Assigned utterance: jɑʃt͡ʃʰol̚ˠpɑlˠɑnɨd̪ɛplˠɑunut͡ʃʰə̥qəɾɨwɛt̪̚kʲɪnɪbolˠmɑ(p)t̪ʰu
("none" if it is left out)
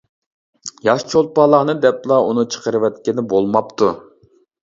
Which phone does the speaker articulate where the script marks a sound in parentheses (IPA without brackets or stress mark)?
p